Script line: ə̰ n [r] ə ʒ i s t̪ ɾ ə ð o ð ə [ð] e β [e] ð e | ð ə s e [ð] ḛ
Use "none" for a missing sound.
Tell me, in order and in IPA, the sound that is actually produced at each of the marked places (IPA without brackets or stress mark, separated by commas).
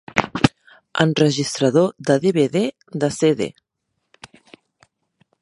r, ð, e, ð